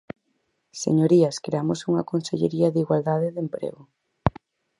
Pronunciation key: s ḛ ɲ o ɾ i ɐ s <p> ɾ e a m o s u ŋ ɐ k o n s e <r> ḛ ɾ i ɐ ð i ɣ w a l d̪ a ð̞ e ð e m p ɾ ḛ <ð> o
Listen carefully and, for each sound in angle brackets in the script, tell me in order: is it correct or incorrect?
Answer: incorrect, incorrect, incorrect

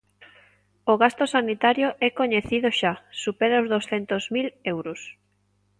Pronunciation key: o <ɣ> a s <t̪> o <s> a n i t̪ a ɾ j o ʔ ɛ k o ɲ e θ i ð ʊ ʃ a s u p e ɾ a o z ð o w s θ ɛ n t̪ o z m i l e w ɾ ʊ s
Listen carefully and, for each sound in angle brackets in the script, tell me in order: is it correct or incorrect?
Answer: correct, correct, correct

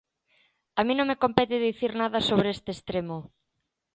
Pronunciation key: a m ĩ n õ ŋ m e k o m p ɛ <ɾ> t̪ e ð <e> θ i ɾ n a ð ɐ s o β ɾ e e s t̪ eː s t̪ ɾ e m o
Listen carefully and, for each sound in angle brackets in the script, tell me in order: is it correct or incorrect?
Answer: incorrect, incorrect

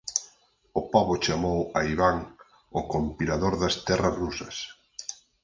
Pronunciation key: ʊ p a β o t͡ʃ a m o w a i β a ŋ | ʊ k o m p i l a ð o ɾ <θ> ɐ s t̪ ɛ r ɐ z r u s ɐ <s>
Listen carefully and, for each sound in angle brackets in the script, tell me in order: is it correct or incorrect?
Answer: incorrect, correct

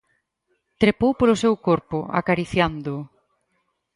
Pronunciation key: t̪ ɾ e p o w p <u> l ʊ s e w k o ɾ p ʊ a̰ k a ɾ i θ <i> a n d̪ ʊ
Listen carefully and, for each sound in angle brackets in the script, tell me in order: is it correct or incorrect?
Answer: incorrect, incorrect

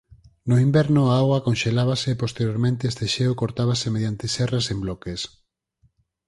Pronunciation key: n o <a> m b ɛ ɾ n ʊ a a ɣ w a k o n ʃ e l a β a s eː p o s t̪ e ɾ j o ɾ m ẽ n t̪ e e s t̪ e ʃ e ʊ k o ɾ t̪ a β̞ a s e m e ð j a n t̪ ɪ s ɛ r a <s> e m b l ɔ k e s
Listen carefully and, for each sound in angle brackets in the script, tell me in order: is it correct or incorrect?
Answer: incorrect, correct

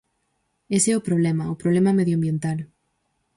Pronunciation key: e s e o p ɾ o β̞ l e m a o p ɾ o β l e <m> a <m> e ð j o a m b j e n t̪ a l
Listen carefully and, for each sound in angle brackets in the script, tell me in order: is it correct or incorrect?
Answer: correct, correct

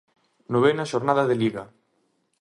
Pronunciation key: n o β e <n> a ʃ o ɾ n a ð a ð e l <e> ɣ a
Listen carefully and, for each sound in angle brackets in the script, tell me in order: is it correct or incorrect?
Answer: correct, incorrect

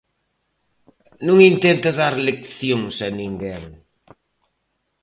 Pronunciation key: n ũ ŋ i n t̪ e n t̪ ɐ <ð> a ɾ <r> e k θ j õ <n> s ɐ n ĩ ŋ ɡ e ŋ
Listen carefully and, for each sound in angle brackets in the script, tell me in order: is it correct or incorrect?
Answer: correct, incorrect, incorrect

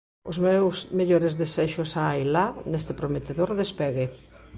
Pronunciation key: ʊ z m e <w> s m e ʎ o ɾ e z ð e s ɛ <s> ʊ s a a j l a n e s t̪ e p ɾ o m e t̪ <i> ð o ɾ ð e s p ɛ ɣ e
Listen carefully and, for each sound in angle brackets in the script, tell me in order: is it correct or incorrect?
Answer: correct, incorrect, incorrect

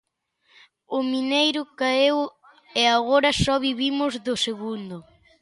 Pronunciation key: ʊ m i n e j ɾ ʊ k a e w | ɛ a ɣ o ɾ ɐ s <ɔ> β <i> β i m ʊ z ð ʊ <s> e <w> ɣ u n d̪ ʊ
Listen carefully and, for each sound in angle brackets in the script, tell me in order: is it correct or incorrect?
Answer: correct, correct, correct, incorrect

